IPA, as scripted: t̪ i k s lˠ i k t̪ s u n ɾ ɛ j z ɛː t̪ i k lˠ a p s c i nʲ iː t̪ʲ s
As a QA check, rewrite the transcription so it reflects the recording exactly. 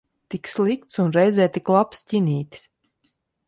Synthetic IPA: t̪ i k s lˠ i k t̪ s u n ɾ ɛ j z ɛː t̪ i k lˠ a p s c i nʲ iː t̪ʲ s